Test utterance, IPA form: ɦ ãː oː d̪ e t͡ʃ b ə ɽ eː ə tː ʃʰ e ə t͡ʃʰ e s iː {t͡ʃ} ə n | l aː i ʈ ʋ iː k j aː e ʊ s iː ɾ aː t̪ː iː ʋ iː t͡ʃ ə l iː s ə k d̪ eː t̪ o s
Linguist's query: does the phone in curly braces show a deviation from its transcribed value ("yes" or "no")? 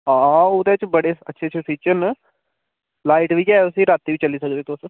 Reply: no